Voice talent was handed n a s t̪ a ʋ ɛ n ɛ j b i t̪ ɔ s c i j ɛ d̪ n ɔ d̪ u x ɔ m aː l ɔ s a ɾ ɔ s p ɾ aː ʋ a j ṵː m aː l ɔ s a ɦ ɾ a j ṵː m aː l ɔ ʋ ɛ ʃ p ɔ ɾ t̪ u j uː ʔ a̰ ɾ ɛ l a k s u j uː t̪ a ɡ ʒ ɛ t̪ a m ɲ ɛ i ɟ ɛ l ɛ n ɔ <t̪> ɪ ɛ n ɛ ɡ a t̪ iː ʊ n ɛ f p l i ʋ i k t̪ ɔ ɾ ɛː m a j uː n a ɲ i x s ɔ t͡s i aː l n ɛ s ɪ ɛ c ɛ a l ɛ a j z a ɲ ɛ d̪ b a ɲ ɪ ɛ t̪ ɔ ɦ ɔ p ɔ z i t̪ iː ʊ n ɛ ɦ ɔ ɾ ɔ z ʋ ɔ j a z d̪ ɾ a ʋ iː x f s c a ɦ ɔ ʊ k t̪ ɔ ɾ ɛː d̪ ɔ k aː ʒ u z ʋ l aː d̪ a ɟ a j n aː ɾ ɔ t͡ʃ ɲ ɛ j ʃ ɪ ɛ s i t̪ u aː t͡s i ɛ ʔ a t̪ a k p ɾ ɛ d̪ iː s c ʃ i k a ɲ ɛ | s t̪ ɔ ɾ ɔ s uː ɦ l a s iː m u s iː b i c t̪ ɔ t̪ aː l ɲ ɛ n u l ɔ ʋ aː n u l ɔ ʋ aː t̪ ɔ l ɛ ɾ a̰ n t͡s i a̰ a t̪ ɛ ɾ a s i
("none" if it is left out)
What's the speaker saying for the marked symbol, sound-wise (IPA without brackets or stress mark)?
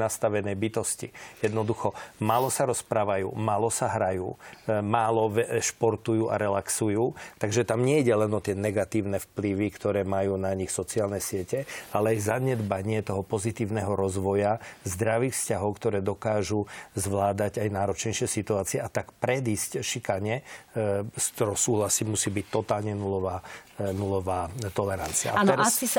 t̪